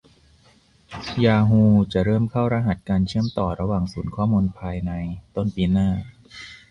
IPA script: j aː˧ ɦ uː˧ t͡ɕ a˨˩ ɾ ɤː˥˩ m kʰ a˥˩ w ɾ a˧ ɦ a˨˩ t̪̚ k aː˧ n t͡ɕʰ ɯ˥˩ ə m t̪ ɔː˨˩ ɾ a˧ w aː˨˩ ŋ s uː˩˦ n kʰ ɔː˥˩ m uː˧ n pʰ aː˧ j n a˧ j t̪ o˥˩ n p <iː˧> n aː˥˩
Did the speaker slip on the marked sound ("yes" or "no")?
no